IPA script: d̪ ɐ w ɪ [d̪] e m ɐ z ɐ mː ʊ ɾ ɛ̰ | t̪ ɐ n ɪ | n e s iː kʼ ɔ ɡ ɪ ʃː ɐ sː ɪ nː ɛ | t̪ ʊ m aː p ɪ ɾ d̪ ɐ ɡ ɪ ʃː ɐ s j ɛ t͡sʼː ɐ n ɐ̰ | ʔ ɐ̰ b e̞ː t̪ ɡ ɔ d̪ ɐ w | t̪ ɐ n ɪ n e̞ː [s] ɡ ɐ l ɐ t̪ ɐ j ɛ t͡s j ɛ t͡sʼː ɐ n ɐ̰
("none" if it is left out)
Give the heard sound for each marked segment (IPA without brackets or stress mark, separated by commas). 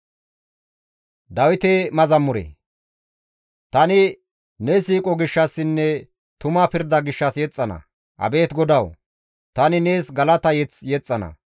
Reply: t̪, s